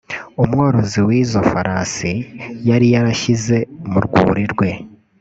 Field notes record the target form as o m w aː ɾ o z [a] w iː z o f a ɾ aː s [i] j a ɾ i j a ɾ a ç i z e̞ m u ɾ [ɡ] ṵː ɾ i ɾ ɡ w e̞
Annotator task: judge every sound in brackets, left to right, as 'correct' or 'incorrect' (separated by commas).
incorrect, correct, correct